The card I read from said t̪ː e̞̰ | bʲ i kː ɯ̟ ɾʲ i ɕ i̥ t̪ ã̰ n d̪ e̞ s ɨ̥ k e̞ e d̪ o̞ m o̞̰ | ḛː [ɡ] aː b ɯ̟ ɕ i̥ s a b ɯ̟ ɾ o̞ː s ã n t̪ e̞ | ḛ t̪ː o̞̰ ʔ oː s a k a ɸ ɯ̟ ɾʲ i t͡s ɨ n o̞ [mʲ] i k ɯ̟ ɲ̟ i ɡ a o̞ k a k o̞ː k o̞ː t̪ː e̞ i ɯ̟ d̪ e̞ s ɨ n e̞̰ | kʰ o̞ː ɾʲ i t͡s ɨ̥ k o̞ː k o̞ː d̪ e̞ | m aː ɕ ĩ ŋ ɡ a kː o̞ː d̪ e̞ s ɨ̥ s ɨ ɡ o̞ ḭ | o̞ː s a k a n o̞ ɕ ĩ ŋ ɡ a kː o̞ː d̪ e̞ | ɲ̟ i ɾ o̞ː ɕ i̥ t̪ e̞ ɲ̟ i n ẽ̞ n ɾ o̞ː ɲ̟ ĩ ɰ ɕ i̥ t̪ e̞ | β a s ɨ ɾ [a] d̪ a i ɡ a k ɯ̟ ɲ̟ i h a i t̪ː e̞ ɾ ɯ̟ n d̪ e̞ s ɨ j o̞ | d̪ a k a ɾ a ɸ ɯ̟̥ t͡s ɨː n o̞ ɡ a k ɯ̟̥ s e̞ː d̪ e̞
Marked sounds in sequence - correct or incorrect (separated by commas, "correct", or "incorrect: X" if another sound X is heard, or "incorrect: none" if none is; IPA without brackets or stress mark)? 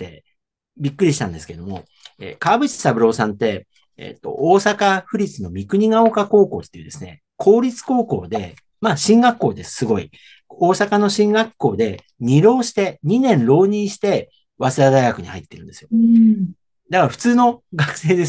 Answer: incorrect: k, correct, correct